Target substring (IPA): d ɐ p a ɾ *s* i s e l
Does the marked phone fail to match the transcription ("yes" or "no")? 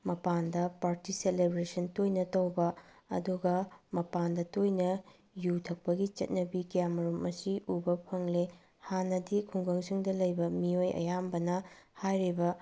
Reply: yes